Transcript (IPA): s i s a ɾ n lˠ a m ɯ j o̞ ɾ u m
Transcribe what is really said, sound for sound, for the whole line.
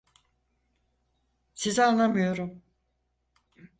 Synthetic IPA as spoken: s i z a n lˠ a m ɯ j o̞ ɾ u m